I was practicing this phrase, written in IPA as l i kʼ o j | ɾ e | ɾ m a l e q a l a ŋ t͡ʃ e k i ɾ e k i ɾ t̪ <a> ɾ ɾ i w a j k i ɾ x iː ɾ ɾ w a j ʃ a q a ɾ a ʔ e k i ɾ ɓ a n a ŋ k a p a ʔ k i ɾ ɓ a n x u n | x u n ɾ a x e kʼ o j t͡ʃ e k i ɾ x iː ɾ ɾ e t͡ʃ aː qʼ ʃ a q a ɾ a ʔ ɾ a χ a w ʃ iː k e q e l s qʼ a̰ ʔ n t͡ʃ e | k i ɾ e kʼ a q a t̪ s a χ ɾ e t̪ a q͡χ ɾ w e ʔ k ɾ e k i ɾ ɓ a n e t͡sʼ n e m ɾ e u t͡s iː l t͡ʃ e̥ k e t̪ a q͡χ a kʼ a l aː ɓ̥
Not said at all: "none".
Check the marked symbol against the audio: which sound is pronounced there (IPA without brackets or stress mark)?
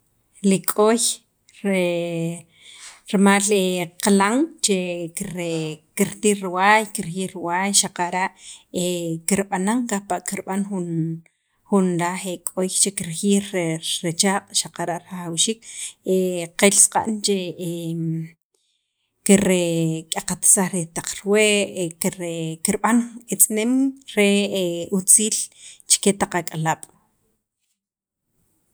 i